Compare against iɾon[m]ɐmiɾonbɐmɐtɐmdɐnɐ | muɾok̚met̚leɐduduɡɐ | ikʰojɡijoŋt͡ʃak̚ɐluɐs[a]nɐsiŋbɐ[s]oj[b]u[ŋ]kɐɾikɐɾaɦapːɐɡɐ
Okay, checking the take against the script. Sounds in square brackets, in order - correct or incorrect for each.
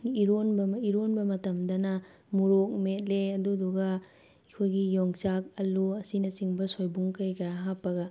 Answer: incorrect: b, incorrect: i, correct, correct, correct

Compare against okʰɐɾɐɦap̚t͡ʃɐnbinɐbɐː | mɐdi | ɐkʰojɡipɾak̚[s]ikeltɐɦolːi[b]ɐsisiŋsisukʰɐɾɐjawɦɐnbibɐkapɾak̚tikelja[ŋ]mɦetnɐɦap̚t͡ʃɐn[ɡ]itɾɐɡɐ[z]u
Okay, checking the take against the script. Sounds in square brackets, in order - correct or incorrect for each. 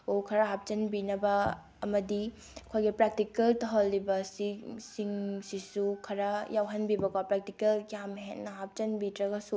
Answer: incorrect: t, correct, incorrect: none, incorrect: b, incorrect: s

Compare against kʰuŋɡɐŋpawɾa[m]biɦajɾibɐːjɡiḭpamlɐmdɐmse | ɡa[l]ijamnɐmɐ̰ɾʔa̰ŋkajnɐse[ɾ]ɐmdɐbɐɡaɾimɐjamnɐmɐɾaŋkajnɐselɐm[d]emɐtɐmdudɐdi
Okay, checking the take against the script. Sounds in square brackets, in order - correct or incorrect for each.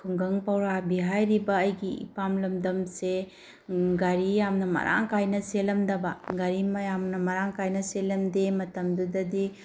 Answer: incorrect: none, incorrect: ɾ, incorrect: l, correct

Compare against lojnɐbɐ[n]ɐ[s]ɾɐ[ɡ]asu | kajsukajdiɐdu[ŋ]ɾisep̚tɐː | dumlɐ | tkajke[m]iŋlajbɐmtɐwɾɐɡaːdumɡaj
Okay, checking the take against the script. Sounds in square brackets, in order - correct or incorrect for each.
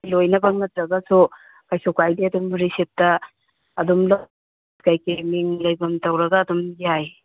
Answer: incorrect: ŋ, incorrect: t, correct, incorrect: m, correct

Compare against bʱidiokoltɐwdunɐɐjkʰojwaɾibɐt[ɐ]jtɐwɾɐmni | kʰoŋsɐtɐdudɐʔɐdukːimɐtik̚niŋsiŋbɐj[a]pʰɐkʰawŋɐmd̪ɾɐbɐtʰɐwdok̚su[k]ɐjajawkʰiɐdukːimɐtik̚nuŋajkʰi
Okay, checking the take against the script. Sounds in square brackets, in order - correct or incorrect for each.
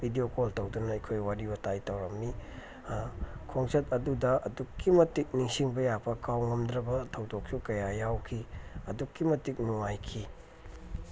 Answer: incorrect: a, correct, correct

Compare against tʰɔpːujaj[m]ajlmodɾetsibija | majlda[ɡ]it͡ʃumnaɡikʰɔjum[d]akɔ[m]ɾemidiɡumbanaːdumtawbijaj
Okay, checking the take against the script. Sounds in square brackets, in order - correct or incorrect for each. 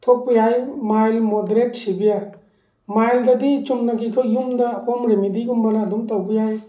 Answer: correct, incorrect: d, correct, correct

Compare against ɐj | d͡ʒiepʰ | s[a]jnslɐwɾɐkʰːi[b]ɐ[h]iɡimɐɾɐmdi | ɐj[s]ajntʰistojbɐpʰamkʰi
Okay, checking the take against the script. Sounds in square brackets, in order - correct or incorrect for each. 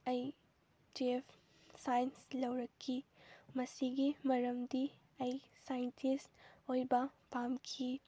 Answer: correct, incorrect: m, incorrect: s, correct

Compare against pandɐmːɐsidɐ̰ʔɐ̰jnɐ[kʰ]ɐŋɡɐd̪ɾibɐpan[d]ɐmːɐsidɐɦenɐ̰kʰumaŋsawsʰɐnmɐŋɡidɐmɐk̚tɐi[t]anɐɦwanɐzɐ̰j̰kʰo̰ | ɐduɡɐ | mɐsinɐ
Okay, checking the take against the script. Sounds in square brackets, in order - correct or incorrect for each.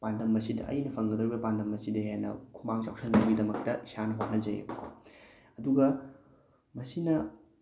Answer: incorrect: pʰ, correct, incorrect: s

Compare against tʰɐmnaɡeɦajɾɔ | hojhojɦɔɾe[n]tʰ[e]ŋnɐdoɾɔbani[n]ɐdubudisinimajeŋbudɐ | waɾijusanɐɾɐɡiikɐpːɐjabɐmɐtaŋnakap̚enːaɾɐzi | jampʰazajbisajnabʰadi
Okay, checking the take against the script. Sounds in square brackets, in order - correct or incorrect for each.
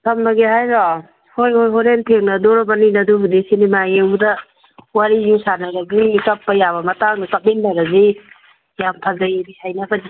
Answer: correct, correct, correct

